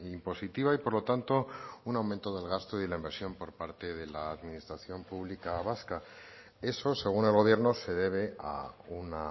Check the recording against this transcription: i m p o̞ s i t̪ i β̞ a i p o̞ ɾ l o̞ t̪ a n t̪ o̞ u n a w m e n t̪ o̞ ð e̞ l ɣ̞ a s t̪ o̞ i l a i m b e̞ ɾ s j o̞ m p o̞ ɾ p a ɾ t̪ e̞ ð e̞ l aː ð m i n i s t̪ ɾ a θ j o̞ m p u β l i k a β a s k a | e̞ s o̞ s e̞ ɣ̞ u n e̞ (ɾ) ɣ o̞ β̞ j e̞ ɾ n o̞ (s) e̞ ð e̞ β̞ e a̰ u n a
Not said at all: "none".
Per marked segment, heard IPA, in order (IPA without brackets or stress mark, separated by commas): l, s